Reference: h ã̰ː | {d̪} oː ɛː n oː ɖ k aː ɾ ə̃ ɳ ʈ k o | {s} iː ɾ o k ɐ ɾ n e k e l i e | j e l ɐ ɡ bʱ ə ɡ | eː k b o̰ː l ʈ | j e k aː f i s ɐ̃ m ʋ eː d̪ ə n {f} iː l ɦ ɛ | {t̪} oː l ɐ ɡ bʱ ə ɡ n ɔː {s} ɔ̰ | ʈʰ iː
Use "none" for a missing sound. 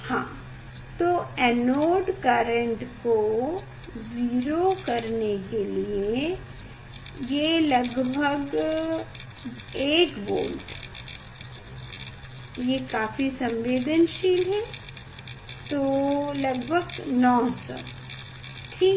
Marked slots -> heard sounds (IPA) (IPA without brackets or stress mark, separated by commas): t̪, z, ʃ, t̪, s